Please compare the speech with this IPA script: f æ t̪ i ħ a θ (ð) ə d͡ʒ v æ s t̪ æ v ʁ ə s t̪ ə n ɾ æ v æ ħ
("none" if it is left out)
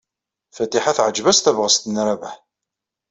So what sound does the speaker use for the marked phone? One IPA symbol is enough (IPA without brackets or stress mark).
ʕ